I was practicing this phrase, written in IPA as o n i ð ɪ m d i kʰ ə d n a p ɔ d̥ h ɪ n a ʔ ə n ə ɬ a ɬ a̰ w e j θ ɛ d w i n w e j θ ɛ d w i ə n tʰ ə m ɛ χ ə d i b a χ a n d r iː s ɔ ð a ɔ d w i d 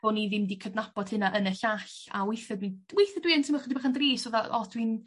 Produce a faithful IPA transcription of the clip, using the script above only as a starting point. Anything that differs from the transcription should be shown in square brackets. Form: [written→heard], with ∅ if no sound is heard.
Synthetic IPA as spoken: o n i ð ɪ m d i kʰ ə d n a p ɔ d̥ h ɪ n a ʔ ə n ə ɬ a ɬ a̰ w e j θ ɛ d w i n w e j θ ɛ d w i ə n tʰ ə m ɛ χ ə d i b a χ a n d r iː s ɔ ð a ɔ d w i [d→n]